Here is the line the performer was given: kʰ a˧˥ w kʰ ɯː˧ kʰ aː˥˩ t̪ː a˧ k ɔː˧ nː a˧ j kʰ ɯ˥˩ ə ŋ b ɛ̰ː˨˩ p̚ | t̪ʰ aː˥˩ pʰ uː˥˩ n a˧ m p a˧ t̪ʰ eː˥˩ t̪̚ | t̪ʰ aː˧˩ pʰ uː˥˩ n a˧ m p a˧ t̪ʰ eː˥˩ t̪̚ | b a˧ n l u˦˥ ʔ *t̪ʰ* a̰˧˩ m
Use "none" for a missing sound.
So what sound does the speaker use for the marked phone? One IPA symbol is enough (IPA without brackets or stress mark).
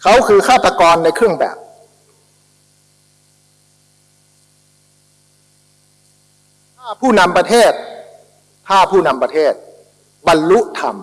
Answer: t̪ʰ